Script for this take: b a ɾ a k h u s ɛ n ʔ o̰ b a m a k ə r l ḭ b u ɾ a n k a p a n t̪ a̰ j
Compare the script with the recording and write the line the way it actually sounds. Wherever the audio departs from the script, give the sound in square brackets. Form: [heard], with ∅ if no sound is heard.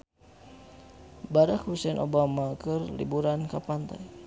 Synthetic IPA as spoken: b a ɾ a k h u s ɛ n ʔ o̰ b a m a k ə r l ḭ b u ɾ a n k a p a n t̪ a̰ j